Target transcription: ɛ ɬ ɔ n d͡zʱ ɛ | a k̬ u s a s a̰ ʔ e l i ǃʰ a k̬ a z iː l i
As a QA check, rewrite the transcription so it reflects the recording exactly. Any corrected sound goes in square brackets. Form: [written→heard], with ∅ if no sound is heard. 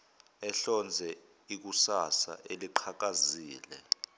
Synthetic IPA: ɛ ɬ ɔ n d͡zʱ ɛ | [a→i] k̬ u s a s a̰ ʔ e l i ǃʰ a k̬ a z iː l [i→ɛ]